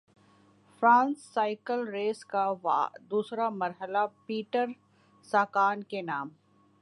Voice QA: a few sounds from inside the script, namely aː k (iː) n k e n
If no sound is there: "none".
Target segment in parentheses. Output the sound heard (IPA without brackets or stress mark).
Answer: aː